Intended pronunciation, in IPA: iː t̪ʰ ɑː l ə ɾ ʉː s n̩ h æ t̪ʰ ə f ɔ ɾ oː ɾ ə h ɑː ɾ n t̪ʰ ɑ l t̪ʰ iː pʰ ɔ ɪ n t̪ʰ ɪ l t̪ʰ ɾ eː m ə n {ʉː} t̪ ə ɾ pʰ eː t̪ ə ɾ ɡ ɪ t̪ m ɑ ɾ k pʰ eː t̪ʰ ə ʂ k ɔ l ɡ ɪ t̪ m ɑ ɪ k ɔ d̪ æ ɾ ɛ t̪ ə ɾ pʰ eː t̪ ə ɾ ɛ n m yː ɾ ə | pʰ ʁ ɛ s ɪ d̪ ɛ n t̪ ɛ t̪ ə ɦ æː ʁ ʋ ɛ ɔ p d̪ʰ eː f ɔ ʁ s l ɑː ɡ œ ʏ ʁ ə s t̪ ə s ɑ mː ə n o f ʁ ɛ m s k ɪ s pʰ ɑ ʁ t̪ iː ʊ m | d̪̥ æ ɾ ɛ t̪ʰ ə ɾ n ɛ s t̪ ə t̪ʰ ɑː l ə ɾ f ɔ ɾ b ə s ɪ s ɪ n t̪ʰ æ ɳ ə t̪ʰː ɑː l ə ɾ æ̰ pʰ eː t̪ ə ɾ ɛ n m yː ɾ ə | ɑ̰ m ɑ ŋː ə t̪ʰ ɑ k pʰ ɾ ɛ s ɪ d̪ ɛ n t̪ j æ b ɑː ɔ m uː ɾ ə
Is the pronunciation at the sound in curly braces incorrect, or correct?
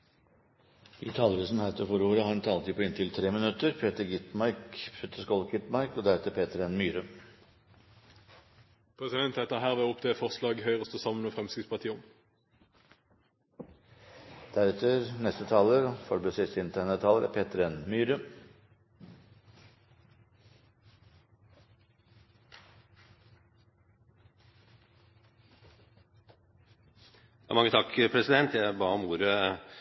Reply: incorrect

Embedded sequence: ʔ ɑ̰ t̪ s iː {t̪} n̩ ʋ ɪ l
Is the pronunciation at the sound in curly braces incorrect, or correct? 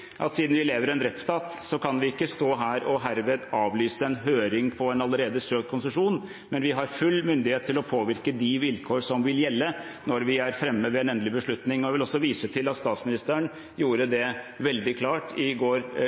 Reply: incorrect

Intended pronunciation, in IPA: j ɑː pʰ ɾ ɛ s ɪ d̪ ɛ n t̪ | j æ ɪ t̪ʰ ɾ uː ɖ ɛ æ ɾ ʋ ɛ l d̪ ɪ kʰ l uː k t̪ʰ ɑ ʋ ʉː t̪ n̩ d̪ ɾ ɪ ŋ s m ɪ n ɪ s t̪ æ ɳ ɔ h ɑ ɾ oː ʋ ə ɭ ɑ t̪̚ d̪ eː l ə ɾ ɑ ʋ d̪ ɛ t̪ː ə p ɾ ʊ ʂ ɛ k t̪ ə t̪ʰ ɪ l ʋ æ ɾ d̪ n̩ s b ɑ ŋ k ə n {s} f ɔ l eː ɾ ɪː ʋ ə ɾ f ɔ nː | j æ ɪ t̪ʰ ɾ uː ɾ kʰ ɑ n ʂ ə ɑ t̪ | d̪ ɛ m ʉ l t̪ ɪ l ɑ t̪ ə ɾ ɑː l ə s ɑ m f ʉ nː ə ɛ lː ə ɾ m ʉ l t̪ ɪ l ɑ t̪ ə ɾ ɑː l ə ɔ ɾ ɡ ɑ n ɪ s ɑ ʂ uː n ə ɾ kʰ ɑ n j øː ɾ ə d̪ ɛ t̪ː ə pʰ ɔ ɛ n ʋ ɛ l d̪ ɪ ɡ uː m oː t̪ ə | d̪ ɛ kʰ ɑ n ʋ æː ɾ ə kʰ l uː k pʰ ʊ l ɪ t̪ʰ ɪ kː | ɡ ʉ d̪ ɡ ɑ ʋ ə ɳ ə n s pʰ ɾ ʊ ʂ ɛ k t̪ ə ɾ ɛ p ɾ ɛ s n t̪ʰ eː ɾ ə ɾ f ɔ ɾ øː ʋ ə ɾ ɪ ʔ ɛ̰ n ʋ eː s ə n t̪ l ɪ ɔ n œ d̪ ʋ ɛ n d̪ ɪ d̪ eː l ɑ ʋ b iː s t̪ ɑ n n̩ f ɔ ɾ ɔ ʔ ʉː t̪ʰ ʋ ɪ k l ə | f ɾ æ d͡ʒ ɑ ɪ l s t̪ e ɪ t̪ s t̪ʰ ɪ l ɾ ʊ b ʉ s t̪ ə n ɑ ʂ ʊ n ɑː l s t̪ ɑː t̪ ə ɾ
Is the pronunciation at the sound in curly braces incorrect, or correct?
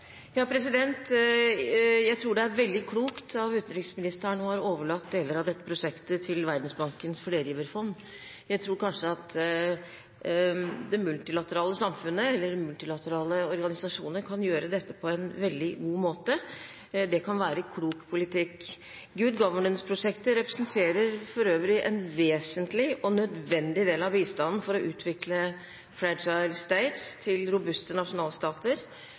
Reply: correct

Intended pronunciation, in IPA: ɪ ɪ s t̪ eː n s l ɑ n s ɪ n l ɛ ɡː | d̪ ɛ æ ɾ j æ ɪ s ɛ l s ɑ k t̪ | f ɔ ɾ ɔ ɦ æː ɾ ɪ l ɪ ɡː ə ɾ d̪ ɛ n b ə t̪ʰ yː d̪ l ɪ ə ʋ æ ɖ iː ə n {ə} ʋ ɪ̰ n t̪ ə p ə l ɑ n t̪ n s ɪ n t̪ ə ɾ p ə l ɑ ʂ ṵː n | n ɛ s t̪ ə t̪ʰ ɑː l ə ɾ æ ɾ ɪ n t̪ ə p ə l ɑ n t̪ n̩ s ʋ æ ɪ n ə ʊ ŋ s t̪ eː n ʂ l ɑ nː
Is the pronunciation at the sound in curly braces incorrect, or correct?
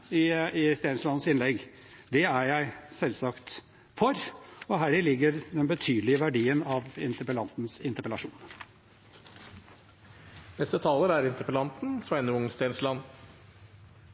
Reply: incorrect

